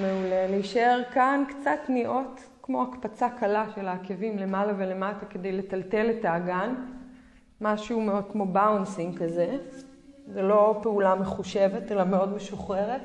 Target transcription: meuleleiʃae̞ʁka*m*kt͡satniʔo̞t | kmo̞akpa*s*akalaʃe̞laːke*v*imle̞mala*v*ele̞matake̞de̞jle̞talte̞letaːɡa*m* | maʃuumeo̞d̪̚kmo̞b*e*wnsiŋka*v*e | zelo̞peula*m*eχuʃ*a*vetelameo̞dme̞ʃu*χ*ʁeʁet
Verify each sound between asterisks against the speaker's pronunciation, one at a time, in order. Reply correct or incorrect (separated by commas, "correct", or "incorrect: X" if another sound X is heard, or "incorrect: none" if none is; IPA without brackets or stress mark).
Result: incorrect: n, incorrect: t͡s, correct, correct, incorrect: n, incorrect: a, incorrect: z, correct, incorrect: e, correct